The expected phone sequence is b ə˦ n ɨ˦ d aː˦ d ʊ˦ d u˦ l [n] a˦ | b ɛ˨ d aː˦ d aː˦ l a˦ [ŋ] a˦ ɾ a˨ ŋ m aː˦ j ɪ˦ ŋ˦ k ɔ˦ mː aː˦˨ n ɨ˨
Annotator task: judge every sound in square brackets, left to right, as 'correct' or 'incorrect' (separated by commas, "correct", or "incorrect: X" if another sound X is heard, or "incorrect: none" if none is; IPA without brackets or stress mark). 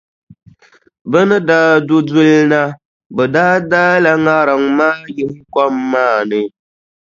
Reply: correct, correct